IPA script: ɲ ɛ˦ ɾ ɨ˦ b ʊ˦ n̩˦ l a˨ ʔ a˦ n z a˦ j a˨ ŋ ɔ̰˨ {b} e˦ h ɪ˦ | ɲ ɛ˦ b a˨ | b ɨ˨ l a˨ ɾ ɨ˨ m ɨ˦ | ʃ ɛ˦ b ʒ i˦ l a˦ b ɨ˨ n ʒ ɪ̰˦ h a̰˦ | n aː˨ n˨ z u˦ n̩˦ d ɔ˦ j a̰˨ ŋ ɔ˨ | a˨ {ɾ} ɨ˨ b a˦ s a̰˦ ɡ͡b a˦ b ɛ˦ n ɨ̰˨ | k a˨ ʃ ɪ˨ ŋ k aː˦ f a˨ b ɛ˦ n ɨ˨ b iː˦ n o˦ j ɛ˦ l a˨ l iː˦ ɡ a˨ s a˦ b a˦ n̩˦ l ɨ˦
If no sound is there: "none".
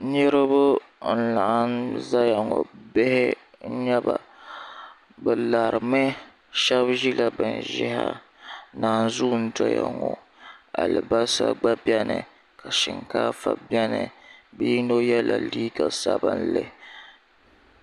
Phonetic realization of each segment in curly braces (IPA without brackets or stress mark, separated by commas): b, l